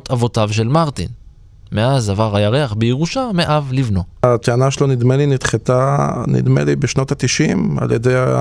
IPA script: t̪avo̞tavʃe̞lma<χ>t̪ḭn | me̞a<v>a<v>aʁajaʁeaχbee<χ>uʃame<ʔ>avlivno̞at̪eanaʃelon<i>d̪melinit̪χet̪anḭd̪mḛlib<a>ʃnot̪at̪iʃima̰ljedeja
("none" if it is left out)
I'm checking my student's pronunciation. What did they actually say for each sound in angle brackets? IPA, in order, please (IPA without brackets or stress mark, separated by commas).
ʁ, z, v, ʁ, ʔ, i, e